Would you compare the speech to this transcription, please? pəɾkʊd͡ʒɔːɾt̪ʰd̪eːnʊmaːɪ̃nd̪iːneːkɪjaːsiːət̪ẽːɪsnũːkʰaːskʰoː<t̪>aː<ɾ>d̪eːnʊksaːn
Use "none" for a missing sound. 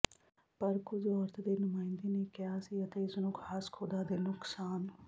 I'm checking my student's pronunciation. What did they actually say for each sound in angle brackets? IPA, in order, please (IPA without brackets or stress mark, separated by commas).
d̪, none